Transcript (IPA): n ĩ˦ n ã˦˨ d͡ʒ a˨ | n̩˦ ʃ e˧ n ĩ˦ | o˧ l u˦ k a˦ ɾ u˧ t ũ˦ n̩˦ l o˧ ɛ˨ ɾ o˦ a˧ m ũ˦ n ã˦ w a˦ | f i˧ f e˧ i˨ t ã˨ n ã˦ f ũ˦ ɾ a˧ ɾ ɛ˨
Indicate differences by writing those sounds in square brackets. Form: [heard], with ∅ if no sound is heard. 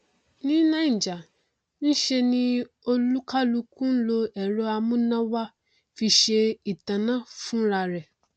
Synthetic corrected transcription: n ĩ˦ n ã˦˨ d͡ʒ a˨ | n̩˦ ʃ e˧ n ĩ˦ | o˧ l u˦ k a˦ [l] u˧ [k] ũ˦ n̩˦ l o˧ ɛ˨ ɾ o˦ a˧ m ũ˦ n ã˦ w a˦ | f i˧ [ʃ] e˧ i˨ t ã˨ n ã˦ f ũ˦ ɾ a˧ ɾ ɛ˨

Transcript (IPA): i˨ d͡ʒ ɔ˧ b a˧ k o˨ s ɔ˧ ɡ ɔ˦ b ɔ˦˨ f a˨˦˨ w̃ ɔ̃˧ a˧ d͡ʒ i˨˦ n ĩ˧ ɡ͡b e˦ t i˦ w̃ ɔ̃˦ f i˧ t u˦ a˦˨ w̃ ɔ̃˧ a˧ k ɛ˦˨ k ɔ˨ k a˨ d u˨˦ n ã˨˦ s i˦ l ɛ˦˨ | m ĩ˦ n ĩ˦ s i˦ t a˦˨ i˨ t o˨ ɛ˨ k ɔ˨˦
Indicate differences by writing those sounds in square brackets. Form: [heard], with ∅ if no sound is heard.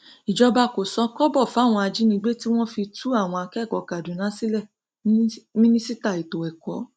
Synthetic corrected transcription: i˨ d͡ʒ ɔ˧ b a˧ k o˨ s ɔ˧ [k] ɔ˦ b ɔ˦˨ f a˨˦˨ w̃ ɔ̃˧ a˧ d͡ʒ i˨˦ n ĩ˧ ɡ͡b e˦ t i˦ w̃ ɔ̃˦ f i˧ t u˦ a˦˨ w̃ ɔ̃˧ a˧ k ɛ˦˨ k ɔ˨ k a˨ d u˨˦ n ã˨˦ s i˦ l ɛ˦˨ | m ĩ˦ n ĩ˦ s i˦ t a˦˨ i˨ t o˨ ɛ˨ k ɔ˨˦

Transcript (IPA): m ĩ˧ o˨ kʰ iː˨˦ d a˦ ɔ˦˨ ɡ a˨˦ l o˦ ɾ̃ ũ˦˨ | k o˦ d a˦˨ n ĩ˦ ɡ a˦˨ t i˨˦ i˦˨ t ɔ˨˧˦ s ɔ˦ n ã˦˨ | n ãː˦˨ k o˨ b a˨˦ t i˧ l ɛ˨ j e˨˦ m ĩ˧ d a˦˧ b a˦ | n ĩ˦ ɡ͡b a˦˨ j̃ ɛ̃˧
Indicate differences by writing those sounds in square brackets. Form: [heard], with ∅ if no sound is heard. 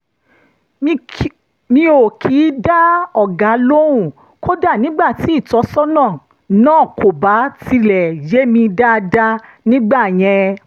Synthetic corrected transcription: m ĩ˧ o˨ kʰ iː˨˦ d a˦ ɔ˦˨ ɡ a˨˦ l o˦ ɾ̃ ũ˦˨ | k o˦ d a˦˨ n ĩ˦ [ɡ͡b] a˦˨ t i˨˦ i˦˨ t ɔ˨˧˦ s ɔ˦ n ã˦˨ | n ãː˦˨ k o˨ b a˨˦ t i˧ l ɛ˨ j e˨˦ m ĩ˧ d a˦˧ [d] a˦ | n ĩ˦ ɡ͡b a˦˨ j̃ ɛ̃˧

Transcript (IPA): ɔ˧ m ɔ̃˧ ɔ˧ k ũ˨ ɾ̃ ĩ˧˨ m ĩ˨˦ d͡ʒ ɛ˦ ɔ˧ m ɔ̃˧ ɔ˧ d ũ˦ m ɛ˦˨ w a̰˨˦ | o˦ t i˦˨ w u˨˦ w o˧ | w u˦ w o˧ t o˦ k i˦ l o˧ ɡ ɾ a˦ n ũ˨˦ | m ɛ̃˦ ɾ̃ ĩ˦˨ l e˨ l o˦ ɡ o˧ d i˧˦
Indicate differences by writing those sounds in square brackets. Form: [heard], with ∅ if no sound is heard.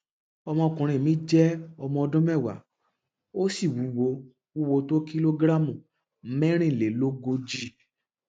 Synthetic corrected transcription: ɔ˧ m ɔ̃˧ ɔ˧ k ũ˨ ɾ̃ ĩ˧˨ m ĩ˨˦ d͡ʒ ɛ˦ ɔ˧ m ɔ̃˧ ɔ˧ d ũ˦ m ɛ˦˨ w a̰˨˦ | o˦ [s] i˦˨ w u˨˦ w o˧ | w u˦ w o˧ t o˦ k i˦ l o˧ ɡ ɾ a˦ [m] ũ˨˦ | m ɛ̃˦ ɾ̃ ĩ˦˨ l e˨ l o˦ ɡ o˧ [d͡ʒ] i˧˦

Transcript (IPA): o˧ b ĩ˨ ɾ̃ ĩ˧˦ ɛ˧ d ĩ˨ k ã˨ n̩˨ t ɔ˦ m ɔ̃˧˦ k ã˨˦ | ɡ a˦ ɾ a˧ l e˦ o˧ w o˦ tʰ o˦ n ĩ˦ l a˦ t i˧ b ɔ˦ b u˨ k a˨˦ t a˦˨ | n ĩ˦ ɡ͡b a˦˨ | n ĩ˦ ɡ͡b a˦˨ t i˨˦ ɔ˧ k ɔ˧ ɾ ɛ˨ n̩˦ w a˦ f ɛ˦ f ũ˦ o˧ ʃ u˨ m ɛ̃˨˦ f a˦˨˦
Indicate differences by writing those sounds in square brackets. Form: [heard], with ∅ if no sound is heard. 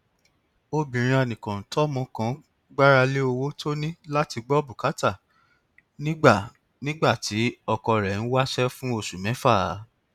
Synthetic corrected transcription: o˧ b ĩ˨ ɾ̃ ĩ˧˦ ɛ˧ [n] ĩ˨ k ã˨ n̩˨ t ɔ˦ m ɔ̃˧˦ k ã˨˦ | [ɡ͡b] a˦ ɾ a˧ l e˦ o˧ w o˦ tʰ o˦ n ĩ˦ l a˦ t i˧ [ɡ͡b] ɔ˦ b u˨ k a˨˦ t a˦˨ | n ĩ˦ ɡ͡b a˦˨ | n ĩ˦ ɡ͡b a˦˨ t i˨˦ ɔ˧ k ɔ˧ ɾ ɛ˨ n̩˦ w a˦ [ʃ] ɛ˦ f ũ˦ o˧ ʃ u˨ m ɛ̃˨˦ f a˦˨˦

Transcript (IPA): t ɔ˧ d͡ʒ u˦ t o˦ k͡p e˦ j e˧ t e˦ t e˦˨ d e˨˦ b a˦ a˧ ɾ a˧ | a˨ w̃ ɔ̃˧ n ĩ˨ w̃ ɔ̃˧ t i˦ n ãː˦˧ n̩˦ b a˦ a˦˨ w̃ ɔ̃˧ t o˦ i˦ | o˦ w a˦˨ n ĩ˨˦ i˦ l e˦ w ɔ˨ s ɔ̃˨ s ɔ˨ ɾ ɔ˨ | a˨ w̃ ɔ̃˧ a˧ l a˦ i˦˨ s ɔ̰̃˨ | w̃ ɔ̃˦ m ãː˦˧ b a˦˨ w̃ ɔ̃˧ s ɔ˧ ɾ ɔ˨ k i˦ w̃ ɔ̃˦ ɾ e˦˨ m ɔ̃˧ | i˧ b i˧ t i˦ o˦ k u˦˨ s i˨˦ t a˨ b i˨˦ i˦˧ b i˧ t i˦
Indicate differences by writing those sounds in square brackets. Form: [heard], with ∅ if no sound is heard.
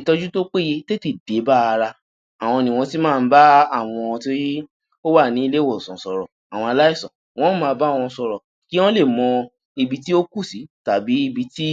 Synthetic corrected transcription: t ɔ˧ d͡ʒ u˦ t o˦ k͡p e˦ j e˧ t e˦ t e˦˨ d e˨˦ b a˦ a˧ ɾ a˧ | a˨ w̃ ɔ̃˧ n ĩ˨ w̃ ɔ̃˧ t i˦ [m] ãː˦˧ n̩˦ b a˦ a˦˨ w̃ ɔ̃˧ t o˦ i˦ | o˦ w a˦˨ n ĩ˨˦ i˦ l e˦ w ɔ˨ s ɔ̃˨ s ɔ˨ ɾ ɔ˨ | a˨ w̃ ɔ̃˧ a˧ l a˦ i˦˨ s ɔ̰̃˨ | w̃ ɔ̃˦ m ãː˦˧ b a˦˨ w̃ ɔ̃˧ s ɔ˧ ɾ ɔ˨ k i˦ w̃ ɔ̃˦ [l] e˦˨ m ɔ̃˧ | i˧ b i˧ t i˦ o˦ k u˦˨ s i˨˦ t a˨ b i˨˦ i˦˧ b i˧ t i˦

